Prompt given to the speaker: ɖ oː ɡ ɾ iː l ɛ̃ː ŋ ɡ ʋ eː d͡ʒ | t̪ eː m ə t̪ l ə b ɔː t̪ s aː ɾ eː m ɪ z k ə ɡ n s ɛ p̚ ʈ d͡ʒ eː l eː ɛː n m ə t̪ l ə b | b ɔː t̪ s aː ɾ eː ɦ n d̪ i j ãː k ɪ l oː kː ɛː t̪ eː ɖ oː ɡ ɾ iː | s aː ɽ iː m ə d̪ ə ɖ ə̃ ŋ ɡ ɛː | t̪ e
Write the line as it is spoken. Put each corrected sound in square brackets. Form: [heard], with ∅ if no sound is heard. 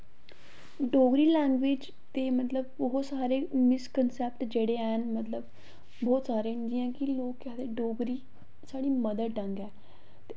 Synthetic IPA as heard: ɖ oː ɡ ɾ iː l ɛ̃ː ŋ ɡ ʋ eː d͡ʒ | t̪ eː m ə t̪ l ə b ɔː t̪ s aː ɾ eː m ɪ [s] k ə [∅] n s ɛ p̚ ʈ d͡ʒ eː [ɽ] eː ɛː n m ə t̪ l ə b | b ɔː t̪ s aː ɾ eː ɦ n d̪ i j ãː k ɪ l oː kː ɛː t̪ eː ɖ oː ɡ ɾ iː | s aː ɽ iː m ə d̪ ə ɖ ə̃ ŋ ɡ ɛː | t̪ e